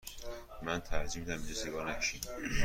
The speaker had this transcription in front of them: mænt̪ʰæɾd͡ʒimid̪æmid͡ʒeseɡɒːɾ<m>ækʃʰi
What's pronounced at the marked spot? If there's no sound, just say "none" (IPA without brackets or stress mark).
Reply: n